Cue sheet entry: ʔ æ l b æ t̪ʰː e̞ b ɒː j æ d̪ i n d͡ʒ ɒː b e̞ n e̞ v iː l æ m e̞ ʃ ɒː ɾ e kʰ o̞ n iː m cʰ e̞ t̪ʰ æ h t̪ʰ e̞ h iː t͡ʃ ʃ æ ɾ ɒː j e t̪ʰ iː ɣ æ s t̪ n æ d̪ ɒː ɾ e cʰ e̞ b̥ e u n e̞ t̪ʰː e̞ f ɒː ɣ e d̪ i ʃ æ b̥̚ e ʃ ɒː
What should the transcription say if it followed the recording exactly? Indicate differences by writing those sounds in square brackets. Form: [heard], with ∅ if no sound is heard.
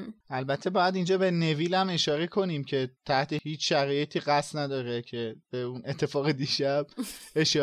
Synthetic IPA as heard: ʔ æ l b æ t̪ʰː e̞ b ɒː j æ d̪ i n d͡ʒ ɒː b e̞ n e̞ v iː l æ m e̞ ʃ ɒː ɾ e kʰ o̞ n iː m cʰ e̞ t̪ʰ æ h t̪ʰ e̞ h iː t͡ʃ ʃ æ ɾ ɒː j e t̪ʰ iː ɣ æ s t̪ n æ d̪ ɒː ɾ e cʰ e̞ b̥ e u n e̞ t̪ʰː e̞ f ɒː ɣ e d̪ i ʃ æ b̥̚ e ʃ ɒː